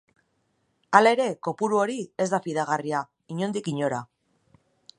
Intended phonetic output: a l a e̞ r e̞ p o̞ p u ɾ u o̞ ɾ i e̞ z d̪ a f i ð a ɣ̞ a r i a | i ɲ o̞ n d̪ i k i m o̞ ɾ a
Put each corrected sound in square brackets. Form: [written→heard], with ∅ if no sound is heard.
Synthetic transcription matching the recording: a l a e̞ [r→ɾ] e̞ [p→k] o̞ p u ɾ u o̞ ɾ i e̞ z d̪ a f i ð a ɣ̞ a r i a | i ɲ o̞ n d̪ i k i [m→ɲ] o̞ ɾ a

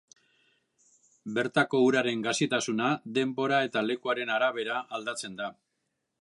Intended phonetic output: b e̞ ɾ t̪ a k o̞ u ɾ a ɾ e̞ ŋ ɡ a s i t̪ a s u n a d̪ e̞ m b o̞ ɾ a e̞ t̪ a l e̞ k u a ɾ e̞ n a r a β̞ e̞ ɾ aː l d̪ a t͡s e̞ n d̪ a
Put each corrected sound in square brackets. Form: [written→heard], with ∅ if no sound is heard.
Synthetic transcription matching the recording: b e̞ ɾ t̪ a k o̞ u ɾ a ɾ e̞ ŋ ɡ a s i t̪ a s u n a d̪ e̞ m b o̞ ɾ a e̞ t̪ a l e̞ k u a ɾ e̞ n a [r→ɾ] a β̞ e̞ ɾ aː l d̪ a t͡s e̞ n d̪ a

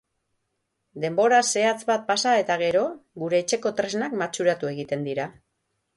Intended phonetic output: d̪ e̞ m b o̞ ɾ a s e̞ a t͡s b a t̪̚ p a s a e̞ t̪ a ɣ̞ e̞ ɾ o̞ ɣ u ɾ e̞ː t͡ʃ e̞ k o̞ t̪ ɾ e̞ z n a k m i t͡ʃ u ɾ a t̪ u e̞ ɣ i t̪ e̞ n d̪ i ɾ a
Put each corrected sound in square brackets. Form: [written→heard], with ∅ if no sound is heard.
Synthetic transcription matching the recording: d̪ e̞ m b o̞ ɾ a s e̞ a t͡s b a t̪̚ p a s a e̞ t̪ a ɣ̞ e̞ ɾ o̞ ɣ u ɾ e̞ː t͡ʃ e̞ k o̞ t̪ ɾ e̞ z n a k m [i→a] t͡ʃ u ɾ a t̪ u e̞ ɣ i t̪ e̞ n d̪ i ɾ a

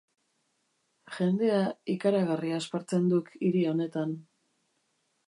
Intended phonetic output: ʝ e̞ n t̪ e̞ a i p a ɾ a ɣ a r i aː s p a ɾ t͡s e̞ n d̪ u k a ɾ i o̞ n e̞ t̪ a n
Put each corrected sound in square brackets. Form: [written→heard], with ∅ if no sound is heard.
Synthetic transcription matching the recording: ʝ e̞ n [t̪→d̪] e̞ a i [p→k] a ɾ a ɣ a r i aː s p a ɾ t͡s e̞ n d̪ u k [a→i] ɾ i o̞ n e̞ t̪ a n

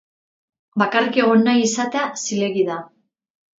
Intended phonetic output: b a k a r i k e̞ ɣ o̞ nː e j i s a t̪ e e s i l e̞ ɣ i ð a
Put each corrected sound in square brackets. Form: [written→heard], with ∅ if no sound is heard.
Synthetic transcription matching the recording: b a k a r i k e̞ ɣ o̞ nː [e→a] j i s a t̪ e [e→a] s i l e̞ ɣ i ð a

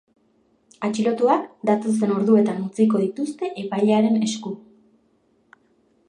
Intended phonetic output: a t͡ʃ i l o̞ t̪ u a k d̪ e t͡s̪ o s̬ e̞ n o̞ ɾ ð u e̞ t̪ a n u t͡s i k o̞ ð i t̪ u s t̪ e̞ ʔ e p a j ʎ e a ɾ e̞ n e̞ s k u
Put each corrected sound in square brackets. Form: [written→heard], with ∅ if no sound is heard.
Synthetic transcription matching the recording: a t͡ʃ i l o̞ t̪ u a k d̪ [e→a] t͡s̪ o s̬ e̞ n o̞ ɾ ð u e̞ t̪ a n u t͡s i k o̞ ð i t̪ u s t̪ e̞ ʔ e p a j ʎ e a ɾ e̞ n e̞ s k u

